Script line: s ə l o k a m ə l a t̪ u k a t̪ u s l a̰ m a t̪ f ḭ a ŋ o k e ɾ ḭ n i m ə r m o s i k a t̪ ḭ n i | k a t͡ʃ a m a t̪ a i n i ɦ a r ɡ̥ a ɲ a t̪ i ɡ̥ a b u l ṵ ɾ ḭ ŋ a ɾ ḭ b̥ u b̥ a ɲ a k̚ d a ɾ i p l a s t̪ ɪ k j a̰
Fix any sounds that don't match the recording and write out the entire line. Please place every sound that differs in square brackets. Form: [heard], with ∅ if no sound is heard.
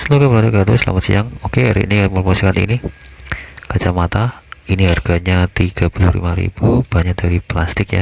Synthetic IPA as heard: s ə l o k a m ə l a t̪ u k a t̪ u s l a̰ m a t̪ [s] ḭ a ŋ o k e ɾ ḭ n i m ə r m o s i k a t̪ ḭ n i | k a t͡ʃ a m a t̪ a i n i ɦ a r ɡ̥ a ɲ a t̪ i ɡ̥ a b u l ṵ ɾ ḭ [m] a ɾ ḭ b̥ u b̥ a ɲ a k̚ d a ɾ i p l a s t̪ ɪ k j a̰